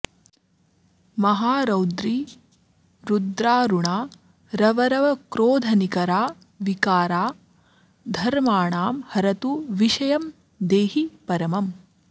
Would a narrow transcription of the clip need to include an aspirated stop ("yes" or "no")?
no